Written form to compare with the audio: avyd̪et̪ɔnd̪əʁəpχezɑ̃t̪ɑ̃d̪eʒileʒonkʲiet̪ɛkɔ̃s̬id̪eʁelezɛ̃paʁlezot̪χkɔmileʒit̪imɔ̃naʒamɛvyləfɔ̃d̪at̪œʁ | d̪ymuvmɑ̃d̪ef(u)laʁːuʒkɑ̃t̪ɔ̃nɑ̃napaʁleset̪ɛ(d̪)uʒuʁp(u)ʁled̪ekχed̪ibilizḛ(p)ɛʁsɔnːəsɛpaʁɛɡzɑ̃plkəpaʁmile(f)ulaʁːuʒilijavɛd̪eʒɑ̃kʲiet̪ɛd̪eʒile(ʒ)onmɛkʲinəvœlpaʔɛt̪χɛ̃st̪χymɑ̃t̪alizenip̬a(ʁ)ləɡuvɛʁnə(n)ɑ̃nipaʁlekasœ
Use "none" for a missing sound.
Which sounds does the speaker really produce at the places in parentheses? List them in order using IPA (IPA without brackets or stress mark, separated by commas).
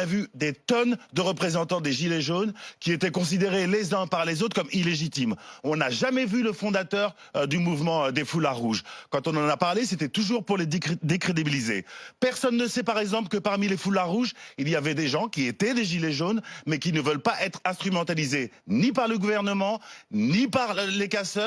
u, t̪, u, p, f, ʒ, ʁ, m